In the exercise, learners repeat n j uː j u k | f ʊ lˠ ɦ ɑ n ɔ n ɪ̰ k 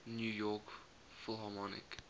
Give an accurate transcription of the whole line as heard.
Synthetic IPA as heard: n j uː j ɔ k | f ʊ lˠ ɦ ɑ m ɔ n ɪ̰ k